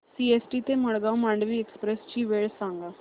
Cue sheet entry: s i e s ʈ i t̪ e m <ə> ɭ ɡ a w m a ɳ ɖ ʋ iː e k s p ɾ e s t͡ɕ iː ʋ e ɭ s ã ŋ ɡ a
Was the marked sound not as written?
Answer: no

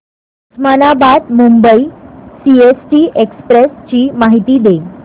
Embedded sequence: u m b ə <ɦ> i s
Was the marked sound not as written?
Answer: yes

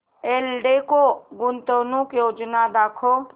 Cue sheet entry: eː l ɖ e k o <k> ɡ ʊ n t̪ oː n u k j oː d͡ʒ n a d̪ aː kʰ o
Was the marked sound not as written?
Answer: yes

